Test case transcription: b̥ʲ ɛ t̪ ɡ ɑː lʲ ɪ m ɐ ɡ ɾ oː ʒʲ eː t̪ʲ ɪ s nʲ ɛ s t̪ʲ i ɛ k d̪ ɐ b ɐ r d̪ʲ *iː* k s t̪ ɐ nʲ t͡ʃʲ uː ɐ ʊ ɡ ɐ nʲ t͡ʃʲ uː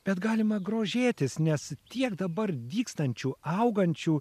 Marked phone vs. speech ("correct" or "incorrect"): correct